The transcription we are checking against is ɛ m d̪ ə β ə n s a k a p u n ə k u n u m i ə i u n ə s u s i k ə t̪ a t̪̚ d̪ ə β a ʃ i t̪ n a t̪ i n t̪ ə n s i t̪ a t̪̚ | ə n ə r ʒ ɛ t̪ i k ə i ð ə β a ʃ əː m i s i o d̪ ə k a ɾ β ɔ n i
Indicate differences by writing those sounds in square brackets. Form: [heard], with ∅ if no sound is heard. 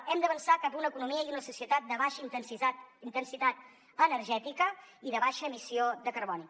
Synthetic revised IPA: ɛ m d̪ ə β ə n s a k a p u n ə k u n u m i ə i u n ə s u s i [∅] ə t̪ a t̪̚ d̪ ə β a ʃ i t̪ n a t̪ i n t̪ ə n s i t̪ a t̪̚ | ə n ə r ʒ ɛ t̪ i k ə i ð ə β a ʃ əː m i s i o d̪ ə k [ə] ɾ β ɔ n i